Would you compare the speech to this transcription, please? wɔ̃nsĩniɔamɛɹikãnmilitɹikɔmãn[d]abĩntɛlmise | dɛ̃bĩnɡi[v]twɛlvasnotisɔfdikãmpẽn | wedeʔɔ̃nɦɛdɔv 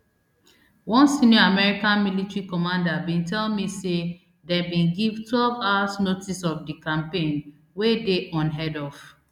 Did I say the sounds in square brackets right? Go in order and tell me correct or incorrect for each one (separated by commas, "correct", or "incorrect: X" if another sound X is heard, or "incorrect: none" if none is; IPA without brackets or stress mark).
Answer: correct, correct